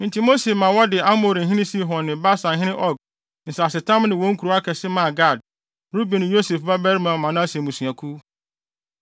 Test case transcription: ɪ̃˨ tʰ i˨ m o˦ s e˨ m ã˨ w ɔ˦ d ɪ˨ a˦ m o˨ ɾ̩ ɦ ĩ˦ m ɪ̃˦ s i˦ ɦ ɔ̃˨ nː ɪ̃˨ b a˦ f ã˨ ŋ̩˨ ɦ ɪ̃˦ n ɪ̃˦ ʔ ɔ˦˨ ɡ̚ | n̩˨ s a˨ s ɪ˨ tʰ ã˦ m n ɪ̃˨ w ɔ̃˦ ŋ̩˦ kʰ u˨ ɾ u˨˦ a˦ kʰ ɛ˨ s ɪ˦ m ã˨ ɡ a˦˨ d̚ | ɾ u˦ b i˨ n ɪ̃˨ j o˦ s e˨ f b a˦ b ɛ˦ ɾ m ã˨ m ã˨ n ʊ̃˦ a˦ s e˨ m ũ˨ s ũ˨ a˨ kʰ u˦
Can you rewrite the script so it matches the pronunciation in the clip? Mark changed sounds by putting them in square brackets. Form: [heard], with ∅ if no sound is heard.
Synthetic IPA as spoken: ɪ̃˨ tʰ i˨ m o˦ s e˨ m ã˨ w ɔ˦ d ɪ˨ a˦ m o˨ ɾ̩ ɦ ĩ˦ [n] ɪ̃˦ s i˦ ɦ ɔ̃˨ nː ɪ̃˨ b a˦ [s] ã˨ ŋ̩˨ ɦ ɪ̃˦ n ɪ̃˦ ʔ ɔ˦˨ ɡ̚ | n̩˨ s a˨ s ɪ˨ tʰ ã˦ m n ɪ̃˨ w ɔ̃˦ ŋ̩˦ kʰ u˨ ɾ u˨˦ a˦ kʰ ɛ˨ s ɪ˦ m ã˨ ɡ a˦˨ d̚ | ɾ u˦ b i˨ n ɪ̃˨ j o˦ s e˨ f b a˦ b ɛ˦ ɾ m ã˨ m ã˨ n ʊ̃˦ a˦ s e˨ m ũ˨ s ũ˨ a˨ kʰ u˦